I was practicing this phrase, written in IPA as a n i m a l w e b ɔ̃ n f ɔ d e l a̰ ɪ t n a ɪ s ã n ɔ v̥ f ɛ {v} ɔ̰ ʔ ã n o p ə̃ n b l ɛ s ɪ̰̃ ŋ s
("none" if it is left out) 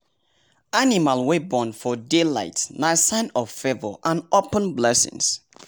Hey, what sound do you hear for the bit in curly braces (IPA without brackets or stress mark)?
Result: v